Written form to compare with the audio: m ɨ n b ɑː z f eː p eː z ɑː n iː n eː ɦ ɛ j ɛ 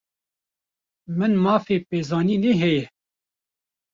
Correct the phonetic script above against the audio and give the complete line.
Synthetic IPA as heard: m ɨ n m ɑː f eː p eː z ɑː n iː n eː ɦ ɛ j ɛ